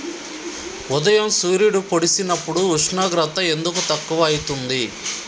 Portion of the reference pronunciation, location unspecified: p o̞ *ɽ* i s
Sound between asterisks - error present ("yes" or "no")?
no